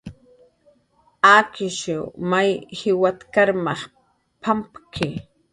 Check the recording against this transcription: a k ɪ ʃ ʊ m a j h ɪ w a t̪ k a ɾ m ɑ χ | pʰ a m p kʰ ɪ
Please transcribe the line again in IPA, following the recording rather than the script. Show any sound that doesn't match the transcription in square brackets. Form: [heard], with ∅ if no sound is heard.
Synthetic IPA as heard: a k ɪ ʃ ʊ m a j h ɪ w a t̪ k a ɾ m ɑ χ | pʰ a m p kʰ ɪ